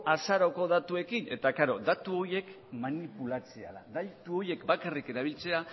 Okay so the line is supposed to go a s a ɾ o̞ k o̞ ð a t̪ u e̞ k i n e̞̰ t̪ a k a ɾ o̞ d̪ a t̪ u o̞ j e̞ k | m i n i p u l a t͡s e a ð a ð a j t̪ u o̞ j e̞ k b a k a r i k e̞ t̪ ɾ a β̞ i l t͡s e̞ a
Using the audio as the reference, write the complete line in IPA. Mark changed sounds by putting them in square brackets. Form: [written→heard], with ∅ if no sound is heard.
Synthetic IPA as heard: a s a ɾ o̞ k o̞ ð a t̪ u e̞ k i n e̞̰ t̪ a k a ɾ o̞ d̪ a t̪ u o̞ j e̞ k | m [i→a] n i p u l a t͡s e a ð a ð a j t̪ u o̞ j e̞ k b a k a r i k e̞ [t̪→∅] ɾ a β̞ i l t͡s e̞ a